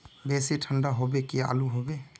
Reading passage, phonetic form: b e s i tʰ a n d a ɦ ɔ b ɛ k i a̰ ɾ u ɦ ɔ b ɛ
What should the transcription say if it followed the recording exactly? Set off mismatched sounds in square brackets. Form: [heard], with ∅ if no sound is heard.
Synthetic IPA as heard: b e s i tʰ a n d a ɦ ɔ b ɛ k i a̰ [l] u ɦ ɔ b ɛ